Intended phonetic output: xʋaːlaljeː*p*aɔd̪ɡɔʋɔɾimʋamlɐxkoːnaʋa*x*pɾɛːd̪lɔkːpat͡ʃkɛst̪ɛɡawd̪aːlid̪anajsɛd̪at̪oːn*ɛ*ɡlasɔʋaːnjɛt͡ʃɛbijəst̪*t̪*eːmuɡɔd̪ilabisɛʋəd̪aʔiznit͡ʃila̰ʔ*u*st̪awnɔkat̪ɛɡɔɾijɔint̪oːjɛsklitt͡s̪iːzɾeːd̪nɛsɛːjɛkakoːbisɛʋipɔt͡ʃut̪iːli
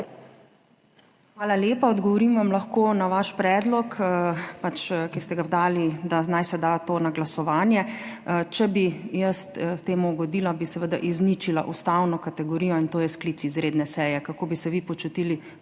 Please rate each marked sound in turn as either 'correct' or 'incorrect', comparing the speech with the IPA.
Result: correct, incorrect, incorrect, correct, correct

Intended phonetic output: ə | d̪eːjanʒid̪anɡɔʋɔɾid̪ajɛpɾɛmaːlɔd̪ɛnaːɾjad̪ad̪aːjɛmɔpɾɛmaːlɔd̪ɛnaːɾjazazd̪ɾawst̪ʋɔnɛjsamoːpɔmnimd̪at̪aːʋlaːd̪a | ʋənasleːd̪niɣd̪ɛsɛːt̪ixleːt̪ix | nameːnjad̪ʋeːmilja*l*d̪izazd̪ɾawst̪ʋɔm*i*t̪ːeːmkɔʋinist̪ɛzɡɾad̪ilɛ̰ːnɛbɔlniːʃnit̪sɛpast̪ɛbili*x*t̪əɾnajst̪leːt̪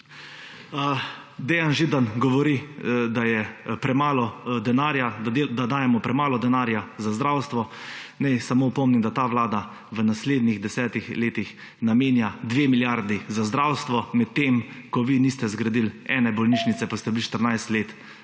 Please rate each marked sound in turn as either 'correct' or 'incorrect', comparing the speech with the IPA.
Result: incorrect, incorrect, incorrect

